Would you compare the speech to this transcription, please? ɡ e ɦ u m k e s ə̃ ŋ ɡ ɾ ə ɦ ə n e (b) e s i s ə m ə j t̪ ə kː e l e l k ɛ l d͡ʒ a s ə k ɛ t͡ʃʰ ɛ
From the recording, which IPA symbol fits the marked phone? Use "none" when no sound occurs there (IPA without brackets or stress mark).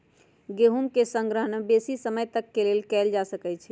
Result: b